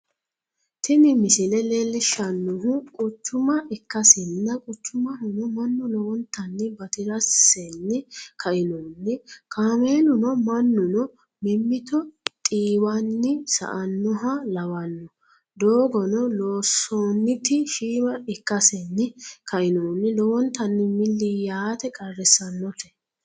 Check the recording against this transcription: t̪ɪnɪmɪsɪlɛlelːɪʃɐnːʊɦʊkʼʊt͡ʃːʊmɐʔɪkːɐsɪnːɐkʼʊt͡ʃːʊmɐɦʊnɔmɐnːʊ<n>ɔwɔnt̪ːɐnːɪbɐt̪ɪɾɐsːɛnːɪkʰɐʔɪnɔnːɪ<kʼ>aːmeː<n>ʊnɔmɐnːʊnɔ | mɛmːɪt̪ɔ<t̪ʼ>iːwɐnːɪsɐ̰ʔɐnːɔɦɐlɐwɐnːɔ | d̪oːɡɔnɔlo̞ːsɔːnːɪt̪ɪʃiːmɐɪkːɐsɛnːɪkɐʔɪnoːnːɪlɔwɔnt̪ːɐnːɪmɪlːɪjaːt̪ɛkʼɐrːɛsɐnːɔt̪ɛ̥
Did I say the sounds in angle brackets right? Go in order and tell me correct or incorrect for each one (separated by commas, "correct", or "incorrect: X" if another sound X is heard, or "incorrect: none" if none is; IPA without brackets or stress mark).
correct, incorrect: k, correct, correct